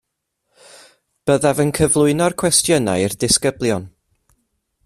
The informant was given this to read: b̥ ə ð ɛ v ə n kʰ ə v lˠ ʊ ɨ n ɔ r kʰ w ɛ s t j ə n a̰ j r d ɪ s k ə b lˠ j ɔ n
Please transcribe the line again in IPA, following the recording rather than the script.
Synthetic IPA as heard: b̥ ə ð a v ə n kʰ ə v lˠ ʊ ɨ n ɔ r kʰ w ɛ s t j ə n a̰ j r d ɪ s k ə b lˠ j ɔ n